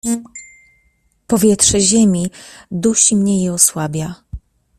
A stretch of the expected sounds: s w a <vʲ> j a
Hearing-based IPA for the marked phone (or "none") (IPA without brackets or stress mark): bʲ